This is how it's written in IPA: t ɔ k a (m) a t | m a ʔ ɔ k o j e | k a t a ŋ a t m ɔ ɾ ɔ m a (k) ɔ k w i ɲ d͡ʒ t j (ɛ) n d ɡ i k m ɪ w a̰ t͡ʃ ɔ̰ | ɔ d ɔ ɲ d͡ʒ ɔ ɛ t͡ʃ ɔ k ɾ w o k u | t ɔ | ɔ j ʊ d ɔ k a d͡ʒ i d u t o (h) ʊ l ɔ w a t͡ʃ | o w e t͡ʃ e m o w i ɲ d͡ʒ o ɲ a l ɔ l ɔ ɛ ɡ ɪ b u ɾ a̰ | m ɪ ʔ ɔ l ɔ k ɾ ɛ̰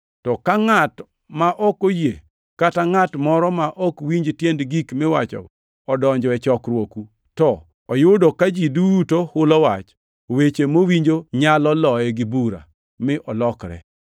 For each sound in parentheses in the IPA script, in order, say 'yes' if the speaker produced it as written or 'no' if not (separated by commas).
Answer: no, no, no, yes